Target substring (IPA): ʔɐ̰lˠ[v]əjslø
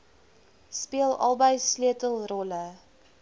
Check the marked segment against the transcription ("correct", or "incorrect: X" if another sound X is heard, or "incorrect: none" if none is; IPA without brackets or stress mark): incorrect: b